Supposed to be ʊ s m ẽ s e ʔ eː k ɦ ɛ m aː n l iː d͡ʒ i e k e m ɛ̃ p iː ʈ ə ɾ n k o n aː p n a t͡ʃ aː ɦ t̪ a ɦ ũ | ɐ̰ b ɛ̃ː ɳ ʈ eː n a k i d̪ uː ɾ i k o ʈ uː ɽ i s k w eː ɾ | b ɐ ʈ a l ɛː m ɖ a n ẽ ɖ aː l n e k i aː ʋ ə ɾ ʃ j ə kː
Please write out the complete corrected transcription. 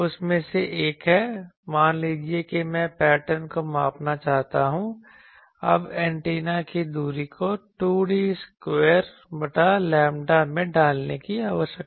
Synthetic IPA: ʊ s m ẽ s e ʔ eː k ɦ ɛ m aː n l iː d͡ʒ i e k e m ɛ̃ p ɛː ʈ ə ɾ n k o m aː p n a t͡ʃ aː ɦ t̪ a ɦ ũ | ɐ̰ b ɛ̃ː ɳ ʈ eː n a k i d̪ uː ɾ i k o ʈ uː ɽ i s k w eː ɾ | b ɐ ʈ a l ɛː m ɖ a m ẽ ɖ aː l n e k i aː ʋ ə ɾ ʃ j ə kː